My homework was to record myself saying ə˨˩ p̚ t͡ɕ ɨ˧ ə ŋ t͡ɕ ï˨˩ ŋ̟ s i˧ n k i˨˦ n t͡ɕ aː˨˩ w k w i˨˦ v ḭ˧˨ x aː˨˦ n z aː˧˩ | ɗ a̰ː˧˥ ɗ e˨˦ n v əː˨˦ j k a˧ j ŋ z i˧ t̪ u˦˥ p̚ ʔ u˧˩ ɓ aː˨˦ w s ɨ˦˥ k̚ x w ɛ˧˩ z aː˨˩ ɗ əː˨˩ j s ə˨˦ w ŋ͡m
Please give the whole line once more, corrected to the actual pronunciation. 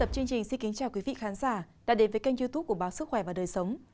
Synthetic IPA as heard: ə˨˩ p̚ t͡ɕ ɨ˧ ə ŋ t͡ɕ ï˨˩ ŋ̟ s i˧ n k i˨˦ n t͡ɕ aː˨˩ w k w i˨˦ v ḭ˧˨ x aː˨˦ n z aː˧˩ | ɗ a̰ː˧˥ ɗ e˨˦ n v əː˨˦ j k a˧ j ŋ z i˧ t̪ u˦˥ p̚ k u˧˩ ɓ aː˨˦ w s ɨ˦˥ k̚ x w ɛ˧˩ v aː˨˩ ɗ əː˨˩ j s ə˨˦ w ŋ͡m